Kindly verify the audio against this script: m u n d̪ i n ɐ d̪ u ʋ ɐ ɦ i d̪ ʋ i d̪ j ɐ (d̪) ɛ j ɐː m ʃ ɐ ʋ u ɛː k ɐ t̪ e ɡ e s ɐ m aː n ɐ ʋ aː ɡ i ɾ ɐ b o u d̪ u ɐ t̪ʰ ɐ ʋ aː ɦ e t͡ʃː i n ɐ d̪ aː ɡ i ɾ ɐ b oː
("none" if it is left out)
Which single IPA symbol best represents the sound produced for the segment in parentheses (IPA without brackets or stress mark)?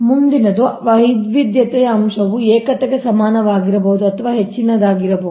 t̪